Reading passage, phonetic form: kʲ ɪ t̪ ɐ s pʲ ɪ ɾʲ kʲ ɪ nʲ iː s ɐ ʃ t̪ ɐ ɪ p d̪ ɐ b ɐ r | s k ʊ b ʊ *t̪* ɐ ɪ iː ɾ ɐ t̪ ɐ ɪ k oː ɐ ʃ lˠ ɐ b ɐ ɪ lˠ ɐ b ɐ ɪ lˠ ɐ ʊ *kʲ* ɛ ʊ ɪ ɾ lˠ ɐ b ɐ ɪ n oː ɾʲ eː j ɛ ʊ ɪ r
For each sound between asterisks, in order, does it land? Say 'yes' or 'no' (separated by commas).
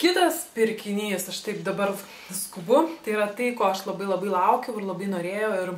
yes, yes